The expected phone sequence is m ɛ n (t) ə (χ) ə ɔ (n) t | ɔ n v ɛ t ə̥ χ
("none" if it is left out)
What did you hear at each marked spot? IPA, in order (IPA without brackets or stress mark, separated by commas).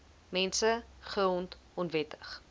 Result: s, χ, n